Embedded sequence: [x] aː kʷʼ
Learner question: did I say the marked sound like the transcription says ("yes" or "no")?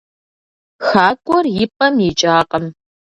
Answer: yes